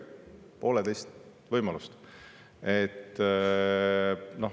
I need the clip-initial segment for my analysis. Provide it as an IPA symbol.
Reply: p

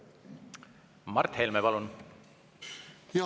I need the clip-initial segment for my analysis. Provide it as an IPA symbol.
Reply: m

